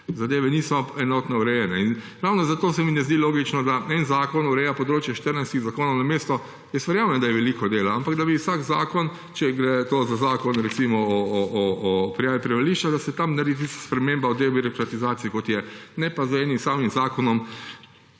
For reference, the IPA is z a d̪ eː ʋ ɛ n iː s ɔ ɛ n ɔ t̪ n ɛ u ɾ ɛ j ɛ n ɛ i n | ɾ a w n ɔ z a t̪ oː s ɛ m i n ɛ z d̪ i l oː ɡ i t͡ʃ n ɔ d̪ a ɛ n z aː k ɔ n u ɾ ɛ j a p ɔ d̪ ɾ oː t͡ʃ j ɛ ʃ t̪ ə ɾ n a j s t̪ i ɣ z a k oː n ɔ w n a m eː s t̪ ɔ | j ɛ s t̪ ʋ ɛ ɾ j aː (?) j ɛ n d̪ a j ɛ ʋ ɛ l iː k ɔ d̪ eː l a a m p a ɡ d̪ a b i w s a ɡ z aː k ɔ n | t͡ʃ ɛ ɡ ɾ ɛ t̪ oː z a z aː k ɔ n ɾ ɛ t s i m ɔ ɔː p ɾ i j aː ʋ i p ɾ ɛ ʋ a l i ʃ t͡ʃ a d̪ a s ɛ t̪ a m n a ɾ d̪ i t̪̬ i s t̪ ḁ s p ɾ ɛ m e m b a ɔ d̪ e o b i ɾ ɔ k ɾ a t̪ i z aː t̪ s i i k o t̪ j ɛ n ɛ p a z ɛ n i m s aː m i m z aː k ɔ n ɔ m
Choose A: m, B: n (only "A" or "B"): A